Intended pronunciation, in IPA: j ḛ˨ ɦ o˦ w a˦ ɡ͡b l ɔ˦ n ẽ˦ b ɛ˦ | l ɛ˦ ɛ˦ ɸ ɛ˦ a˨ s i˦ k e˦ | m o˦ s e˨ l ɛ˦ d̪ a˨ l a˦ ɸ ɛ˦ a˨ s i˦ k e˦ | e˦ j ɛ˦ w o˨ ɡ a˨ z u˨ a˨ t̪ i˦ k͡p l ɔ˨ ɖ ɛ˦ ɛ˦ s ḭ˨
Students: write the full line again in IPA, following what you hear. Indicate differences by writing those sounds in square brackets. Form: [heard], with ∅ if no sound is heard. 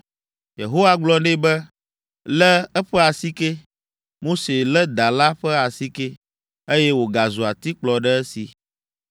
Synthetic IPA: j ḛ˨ ɦ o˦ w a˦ ɡ͡b l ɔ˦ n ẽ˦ b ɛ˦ | l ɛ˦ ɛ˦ ɸ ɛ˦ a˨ s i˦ k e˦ | m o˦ s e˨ l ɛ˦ d̪ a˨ l a˦ ɸ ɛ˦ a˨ s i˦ k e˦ | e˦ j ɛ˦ w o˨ ɡ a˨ z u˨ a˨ t̪ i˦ k͡p l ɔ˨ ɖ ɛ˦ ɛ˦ s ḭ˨

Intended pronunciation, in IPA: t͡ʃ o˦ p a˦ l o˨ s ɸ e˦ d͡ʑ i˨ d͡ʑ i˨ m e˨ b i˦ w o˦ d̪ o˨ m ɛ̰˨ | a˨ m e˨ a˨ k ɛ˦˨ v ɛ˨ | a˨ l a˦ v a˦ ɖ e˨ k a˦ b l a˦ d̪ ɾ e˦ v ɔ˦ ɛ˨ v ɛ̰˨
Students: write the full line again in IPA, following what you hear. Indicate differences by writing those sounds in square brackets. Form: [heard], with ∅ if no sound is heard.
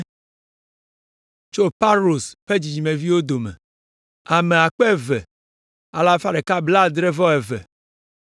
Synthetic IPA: t͡ʃ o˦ p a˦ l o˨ s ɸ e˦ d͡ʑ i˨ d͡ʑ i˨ m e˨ [v] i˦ w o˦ d̪ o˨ m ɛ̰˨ | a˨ m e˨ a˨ [k͡p] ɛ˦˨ v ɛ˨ | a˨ l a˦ [f] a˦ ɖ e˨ k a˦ b l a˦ d̪ ɾ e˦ v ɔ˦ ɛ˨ v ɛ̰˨

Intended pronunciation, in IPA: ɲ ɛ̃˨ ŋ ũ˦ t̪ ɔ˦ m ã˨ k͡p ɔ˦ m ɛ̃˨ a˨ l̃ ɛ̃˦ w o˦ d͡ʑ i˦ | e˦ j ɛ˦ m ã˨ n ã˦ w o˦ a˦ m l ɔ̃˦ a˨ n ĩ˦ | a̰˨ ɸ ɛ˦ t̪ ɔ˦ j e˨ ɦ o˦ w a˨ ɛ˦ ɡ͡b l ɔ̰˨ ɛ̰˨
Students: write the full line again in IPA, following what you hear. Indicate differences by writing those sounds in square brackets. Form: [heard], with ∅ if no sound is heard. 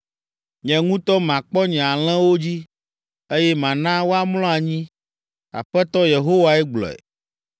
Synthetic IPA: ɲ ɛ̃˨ ŋ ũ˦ t̪ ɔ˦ m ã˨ k͡p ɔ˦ [ɲ] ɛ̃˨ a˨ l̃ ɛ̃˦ w o˦ d͡ʑ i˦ | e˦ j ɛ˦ m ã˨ n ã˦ w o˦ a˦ m l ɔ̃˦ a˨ [ɲ] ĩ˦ | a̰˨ ɸ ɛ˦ t̪ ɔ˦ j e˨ ɦ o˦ w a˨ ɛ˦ ɡ͡b l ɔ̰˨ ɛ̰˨

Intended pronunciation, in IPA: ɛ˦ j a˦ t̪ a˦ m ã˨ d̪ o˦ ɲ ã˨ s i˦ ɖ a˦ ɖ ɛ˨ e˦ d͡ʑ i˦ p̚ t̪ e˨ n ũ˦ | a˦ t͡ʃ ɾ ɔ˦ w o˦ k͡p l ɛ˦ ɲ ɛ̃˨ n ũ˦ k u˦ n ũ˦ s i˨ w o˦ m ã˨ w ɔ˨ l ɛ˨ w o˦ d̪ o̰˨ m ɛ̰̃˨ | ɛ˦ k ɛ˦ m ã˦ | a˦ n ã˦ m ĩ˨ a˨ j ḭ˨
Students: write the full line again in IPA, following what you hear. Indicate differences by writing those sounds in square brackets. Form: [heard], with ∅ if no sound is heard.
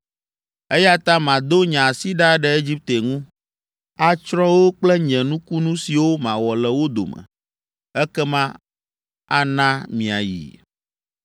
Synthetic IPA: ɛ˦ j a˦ t̪ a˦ m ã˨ d̪ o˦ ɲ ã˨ s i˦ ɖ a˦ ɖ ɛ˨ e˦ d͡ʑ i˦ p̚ t̪ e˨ [ŋ] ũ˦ | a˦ t͡ʃ ɾ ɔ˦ w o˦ k͡p l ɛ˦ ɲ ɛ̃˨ n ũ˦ k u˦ n ũ˦ s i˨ w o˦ m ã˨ w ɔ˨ l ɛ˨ w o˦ d̪ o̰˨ m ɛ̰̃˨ | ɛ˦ k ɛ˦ m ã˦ | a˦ n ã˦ m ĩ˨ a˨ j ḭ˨

